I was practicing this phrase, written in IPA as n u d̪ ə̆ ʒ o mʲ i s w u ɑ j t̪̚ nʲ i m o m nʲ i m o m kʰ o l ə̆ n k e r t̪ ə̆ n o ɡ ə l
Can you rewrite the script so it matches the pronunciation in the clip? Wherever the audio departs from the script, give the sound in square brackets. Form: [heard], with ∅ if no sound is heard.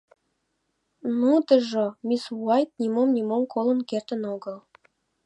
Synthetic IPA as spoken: n u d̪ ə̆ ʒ o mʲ i s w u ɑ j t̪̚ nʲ i m o m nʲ i m o m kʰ o l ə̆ n k e r t̪ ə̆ n o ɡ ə l